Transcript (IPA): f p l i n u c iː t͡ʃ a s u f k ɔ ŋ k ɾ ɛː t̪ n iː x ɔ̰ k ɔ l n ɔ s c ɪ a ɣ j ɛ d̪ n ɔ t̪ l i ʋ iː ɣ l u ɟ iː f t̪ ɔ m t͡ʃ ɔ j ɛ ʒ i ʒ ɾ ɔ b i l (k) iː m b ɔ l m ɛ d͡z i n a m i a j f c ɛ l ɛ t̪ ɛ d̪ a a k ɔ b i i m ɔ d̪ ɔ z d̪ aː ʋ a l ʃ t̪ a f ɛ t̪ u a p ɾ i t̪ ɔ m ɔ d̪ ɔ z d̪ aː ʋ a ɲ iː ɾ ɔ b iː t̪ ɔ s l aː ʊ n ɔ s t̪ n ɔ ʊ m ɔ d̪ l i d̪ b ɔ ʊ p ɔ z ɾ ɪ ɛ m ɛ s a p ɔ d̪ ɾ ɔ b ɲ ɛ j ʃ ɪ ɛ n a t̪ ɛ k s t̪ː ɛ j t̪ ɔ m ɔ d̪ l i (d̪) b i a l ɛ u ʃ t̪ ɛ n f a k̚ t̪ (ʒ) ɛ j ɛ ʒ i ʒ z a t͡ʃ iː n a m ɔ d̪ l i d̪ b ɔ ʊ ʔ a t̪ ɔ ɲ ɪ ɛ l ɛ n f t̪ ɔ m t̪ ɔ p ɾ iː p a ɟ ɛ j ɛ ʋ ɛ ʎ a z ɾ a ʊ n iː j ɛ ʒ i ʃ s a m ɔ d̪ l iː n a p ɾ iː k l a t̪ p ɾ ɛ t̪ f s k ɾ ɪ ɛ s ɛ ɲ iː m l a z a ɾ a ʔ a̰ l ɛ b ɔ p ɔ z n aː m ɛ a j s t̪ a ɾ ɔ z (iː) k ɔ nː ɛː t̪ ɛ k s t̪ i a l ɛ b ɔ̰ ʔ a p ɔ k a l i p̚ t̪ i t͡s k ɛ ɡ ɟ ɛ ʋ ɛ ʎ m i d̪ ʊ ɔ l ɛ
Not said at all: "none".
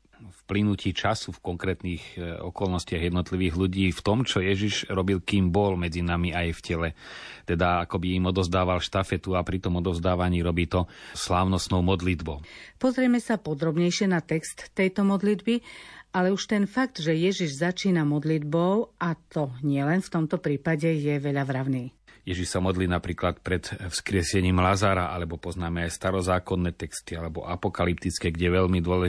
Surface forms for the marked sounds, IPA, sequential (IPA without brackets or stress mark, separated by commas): k, d̪, ʒ, aː